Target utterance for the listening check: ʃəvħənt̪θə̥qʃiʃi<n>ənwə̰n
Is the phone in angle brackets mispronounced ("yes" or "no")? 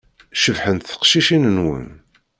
no